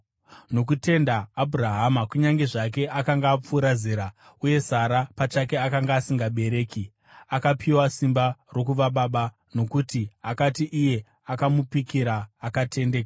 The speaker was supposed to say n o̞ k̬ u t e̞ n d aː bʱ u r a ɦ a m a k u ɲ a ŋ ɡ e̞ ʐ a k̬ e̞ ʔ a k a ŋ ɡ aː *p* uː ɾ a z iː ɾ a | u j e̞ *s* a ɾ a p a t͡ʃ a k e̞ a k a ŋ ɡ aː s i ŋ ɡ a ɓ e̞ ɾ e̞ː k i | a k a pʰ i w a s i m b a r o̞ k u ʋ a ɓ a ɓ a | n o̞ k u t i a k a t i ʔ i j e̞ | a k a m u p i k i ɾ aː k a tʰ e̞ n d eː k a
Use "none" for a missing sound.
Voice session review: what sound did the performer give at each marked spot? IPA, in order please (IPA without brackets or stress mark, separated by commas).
p͡f, s